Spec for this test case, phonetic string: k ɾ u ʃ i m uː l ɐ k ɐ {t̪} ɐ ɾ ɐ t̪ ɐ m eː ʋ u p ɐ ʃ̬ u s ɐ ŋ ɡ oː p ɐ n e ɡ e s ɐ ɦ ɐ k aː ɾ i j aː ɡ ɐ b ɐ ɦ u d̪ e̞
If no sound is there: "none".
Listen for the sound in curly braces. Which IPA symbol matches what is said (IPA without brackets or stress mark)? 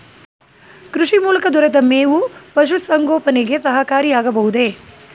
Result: d̪